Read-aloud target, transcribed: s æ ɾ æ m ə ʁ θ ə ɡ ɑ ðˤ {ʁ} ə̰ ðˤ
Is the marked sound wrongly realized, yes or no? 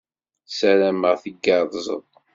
yes